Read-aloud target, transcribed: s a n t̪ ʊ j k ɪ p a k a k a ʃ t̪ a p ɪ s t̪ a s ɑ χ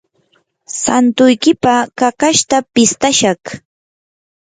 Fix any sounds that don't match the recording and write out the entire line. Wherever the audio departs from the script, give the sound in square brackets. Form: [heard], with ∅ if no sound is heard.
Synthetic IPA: s a n t̪ ʊ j k ɪ p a k a k a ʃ t̪ a p ɪ s t̪ a [ʃ] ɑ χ

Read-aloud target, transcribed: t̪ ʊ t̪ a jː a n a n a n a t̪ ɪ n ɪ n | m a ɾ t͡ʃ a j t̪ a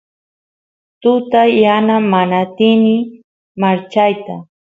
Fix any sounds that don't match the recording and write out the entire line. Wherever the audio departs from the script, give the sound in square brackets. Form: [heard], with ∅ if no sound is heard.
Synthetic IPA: t̪ ʊ t̪ a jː a n a [m] a n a t̪ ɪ n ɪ [∅] | m a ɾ t͡ʃ a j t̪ a

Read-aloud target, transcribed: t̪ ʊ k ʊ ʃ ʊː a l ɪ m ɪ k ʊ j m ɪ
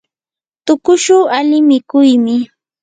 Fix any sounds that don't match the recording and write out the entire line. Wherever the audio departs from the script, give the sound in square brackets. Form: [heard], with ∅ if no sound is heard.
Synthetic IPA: t̪ ʊ k ʊ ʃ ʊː a l ɪ m ɪ k ʊ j m ɪ

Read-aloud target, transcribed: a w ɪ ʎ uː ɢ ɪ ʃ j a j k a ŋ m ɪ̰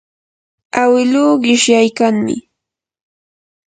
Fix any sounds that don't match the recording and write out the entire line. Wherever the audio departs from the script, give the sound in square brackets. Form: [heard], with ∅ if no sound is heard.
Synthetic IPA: a w ɪ [l] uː ɢ ɪ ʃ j a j k a ŋ m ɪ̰

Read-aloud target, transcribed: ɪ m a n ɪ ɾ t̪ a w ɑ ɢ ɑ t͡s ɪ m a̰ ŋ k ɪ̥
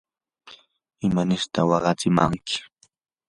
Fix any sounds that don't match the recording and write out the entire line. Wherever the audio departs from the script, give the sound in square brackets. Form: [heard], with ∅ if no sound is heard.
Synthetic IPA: ɪ m a n ɪ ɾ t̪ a w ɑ ɢ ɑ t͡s ɪ m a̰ ŋ k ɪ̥

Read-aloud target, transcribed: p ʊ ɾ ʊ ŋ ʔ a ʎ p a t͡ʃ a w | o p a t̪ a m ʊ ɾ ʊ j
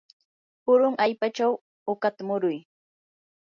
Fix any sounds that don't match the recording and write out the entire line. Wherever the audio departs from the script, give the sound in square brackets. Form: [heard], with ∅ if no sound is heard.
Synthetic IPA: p ʊ ɾ ʊ ŋ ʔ a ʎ p a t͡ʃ a w | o [k] a t̪ a m ʊ ɾ ʊ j

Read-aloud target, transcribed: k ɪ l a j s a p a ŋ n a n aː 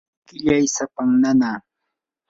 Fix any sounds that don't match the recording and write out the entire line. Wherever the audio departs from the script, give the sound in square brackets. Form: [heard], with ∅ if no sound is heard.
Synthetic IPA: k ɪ [ʎ] a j s a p a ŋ n a n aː

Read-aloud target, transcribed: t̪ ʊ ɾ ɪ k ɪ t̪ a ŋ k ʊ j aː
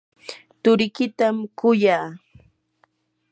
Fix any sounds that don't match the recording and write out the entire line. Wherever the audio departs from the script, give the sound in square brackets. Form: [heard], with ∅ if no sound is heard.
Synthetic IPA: t̪ ʊ ɾ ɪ k ɪ t̪ a [m] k ʊ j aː

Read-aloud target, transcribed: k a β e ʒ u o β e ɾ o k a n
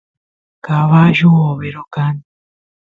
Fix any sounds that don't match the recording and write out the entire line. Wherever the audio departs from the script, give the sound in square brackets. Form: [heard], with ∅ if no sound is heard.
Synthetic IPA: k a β [a] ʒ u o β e ɾ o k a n

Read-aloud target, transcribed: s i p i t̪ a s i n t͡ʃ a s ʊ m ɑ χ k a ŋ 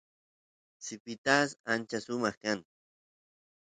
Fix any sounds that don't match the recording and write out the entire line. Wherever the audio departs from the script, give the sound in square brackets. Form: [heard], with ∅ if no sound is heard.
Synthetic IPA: s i p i t̪ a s [a] n t͡ʃ a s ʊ m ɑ χ k a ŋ

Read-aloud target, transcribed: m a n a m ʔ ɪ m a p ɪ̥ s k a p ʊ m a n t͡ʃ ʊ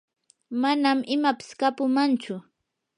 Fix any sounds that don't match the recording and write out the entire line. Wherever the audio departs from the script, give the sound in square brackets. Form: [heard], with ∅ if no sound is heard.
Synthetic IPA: m a n a m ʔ ɪ m a p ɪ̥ s k a p ʊ m a n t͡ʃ ʊ

